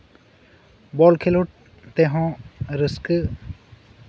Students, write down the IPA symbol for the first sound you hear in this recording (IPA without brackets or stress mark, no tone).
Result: b